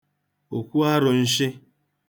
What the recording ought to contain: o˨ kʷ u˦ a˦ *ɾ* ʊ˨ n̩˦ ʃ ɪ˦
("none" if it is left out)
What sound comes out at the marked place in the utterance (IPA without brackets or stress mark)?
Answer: ɾ